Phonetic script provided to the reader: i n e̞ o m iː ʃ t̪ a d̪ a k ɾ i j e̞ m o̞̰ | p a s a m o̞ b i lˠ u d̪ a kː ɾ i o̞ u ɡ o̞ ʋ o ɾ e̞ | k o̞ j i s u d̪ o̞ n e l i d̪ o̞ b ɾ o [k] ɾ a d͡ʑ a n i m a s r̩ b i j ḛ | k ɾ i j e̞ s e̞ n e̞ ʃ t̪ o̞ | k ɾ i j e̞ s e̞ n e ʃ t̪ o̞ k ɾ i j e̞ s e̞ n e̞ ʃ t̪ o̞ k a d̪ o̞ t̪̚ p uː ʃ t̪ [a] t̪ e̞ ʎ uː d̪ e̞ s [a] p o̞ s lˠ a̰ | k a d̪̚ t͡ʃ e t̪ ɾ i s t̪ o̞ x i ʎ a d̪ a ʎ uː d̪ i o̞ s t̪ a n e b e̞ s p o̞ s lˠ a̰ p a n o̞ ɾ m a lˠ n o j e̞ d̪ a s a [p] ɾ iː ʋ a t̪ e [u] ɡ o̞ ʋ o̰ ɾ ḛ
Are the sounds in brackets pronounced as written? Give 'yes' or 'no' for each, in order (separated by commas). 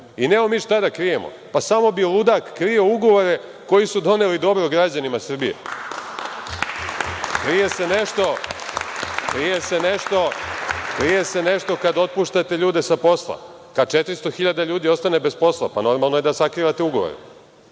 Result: no, yes, yes, no, yes